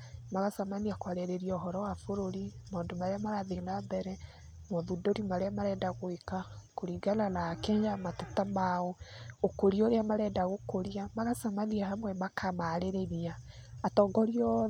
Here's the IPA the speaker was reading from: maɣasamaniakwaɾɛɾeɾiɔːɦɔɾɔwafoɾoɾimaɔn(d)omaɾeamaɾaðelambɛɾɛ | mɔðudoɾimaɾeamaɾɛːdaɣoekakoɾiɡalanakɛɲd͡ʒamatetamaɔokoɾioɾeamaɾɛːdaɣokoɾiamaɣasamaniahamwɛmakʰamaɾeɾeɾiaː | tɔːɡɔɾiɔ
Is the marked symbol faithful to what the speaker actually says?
yes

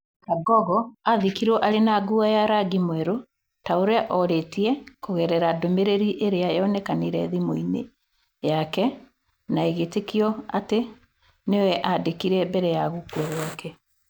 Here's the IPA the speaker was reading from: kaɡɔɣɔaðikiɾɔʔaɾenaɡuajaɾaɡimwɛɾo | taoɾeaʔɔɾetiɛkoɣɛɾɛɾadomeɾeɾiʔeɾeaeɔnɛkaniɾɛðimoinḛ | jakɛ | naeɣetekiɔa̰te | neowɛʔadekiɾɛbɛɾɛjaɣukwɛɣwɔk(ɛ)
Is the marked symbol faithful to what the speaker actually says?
yes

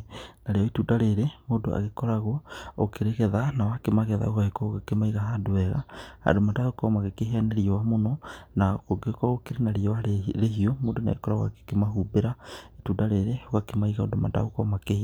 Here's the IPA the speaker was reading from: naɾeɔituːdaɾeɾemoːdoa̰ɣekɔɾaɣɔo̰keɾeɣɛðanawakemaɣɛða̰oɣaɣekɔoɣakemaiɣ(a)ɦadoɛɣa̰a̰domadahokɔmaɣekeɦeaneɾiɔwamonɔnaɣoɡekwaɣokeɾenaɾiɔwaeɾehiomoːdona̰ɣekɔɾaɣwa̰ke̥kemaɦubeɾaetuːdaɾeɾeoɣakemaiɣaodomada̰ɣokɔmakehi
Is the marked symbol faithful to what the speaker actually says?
yes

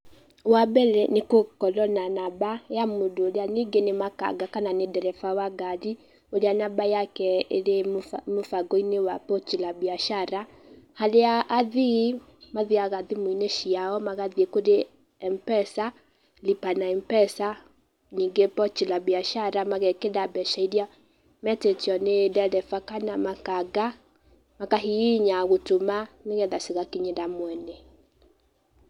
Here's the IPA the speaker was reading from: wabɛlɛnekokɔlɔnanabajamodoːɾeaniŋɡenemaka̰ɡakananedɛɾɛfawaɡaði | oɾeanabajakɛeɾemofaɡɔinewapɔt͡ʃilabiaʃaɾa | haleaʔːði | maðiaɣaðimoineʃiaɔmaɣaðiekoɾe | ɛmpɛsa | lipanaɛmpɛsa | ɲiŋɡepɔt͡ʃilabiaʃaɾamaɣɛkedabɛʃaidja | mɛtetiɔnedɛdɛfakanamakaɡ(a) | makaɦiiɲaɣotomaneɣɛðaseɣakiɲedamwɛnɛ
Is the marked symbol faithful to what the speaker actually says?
yes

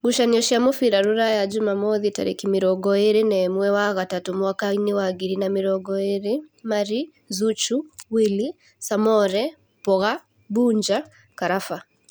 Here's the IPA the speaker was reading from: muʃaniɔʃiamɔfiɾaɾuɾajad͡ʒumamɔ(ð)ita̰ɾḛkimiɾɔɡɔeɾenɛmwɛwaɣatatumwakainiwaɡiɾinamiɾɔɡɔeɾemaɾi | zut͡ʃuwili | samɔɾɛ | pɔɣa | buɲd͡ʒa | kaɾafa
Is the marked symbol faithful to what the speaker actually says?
yes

